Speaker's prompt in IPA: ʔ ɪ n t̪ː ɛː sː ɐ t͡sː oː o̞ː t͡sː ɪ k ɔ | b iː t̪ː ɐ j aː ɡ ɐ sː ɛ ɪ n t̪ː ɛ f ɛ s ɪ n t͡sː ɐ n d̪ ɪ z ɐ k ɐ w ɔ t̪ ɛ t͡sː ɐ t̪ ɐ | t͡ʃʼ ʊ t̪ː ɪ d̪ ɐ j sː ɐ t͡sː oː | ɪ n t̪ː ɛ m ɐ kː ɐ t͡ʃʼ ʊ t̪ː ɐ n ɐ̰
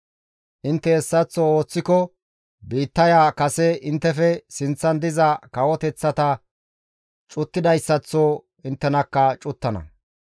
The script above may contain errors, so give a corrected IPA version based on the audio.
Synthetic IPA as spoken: ʔ ɪ n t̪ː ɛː sː ɐ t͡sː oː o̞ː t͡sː ɪ k ɔ | b iː t̪ː ɐ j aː k ɐ s ɛ ɪ n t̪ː ɛ f ɛ s ɪ n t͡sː ɐ n d̪ ɪ z ɐ k ɐ w ɔ t̪ ɛ t͡sː ɐ t̪ ɐ | t͡ʃʼ ʊ t̪ː ɪ d̪ ɐ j sː ɐ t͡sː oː | ɪ n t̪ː ɛ n ɐ kː ɐ t͡ʃʼ ʊ t̪ː ɐ n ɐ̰